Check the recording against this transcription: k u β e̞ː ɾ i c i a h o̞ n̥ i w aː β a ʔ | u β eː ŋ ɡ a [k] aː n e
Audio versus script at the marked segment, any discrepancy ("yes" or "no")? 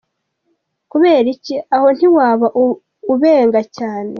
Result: yes